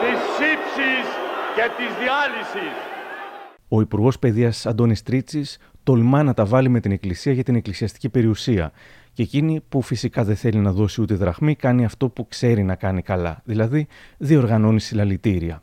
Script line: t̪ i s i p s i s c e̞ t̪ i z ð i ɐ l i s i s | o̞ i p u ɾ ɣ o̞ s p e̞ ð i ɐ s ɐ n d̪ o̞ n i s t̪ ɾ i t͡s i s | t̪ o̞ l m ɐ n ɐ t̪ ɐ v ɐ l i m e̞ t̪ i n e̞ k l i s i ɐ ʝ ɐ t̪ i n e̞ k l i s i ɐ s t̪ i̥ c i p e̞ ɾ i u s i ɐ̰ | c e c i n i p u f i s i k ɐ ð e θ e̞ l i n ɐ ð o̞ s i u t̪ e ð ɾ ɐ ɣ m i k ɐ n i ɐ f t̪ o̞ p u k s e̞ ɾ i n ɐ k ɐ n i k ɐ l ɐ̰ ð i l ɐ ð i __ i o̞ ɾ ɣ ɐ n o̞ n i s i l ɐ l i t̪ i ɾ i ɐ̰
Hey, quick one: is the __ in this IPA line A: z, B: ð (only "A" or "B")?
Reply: B